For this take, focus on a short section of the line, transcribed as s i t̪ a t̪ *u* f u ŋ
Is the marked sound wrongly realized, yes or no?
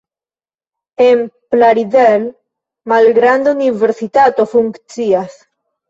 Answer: yes